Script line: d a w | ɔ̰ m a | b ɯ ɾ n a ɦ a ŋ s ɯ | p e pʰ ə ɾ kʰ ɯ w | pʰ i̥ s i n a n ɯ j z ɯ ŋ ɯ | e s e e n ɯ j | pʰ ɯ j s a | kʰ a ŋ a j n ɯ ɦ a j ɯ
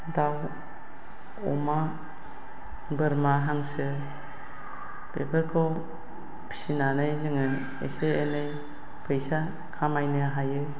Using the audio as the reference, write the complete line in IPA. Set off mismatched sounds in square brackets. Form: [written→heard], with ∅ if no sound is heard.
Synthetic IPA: d a w | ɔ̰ m a | b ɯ ɾ [n→m] a ɦ a ŋ s ɯ | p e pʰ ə ɾ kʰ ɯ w | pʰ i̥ s i n a n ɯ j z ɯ ŋ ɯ | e s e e n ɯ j | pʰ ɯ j s a | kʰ a [ŋ→m] a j n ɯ ɦ a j ɯ